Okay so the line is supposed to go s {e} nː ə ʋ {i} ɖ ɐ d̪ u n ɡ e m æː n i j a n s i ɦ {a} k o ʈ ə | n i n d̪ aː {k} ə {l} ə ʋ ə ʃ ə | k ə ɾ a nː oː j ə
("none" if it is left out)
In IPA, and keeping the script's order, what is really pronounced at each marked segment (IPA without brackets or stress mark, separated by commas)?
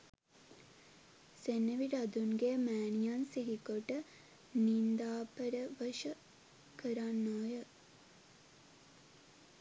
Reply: e, i, i, p, ɾ